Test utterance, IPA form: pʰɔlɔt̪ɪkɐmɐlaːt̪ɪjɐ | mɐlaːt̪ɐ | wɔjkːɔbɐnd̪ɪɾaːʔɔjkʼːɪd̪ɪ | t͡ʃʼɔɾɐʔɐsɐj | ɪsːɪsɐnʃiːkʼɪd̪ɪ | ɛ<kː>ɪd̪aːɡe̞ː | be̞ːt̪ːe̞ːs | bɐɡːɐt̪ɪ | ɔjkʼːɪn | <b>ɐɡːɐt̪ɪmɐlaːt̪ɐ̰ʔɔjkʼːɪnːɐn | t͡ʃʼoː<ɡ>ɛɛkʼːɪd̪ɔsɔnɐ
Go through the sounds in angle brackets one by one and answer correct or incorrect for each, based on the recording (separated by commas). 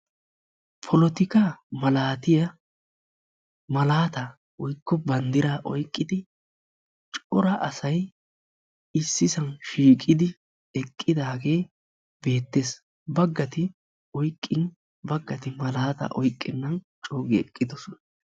incorrect, correct, correct